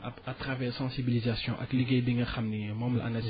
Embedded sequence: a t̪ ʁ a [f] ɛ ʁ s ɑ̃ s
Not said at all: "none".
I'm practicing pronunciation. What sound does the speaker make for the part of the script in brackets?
v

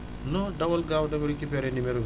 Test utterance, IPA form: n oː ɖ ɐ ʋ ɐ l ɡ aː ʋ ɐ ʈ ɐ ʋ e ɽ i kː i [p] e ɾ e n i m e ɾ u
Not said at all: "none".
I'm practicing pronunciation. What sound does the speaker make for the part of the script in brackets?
p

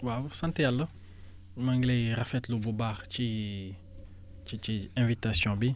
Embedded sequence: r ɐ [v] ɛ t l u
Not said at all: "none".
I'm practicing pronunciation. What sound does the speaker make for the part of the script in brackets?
f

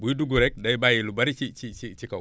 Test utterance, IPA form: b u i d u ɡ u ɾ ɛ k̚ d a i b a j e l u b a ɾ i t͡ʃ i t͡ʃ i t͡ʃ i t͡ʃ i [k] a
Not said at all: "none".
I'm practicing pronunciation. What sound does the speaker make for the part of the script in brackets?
k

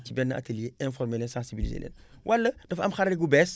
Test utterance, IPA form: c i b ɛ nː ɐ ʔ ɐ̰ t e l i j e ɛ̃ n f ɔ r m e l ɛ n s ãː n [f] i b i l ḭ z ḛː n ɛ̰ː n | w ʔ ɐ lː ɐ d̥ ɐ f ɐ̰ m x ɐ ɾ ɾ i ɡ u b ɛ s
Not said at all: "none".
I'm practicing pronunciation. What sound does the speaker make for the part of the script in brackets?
s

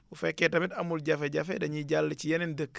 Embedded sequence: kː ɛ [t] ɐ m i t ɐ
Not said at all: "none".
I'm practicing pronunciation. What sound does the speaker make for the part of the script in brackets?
t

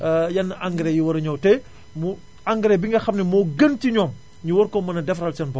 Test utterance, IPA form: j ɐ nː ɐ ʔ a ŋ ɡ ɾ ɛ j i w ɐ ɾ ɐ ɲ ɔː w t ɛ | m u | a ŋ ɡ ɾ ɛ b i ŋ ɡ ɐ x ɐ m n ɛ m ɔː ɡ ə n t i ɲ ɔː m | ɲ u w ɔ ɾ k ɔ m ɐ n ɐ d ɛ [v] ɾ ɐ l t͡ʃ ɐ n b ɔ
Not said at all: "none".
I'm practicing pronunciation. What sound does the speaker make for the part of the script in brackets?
f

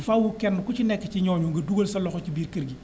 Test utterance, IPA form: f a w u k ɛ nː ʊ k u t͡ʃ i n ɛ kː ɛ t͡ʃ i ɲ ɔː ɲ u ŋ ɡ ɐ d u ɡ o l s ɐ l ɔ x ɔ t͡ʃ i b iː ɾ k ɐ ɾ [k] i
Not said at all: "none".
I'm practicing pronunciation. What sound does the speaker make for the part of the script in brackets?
ɡ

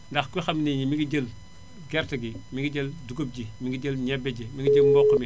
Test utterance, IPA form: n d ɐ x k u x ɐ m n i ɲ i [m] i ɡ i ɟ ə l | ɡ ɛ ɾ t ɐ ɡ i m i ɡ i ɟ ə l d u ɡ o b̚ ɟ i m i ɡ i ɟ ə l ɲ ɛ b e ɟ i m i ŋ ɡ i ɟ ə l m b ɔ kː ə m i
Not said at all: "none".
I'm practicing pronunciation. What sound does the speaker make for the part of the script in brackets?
m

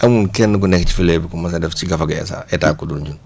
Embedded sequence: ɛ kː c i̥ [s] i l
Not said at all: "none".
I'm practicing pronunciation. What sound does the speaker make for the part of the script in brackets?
f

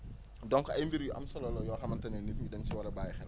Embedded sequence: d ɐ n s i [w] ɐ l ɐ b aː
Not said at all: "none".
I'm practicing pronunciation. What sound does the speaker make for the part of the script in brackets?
w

